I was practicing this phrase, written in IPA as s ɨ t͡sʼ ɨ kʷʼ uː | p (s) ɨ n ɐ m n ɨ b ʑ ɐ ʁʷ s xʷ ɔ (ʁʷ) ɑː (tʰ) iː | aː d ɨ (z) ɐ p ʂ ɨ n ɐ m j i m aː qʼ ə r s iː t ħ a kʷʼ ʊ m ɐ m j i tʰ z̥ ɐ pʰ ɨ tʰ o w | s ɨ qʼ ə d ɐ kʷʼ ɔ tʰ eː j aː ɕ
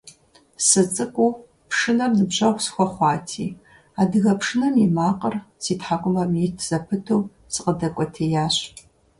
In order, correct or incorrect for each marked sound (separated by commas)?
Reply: incorrect, incorrect, correct, incorrect